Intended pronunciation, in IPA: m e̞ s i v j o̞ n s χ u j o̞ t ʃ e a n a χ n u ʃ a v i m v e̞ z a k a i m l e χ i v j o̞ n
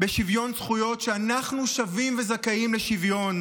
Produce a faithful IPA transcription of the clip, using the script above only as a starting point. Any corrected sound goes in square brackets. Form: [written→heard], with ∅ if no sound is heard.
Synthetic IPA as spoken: [m→b] e̞ [s→ʃ] i v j o̞ n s χ u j o̞ t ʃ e a n a χ n u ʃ a v i m v e̞ z a k a i m l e [χ→ʃ] i v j o̞ n